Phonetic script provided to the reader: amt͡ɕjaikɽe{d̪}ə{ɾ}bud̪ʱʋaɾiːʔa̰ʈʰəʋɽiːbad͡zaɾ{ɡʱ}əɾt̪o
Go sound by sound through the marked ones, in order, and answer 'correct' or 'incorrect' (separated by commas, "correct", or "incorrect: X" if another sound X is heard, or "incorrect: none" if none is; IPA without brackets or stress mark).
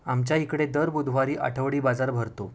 correct, correct, incorrect: bʱ